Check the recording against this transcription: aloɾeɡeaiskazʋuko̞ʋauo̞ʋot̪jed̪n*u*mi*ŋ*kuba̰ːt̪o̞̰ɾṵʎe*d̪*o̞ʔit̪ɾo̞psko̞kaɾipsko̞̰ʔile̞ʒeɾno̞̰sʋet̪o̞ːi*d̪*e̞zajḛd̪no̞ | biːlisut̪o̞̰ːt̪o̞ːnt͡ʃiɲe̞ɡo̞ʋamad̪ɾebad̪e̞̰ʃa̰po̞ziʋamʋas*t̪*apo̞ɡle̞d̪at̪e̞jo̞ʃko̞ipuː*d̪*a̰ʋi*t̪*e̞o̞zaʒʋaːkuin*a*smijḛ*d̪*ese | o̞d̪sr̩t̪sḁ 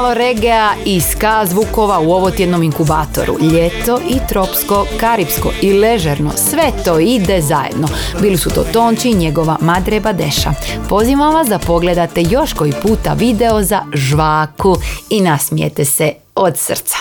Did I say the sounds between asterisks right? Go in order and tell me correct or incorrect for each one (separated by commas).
incorrect, correct, incorrect, correct, incorrect, incorrect, incorrect, correct, incorrect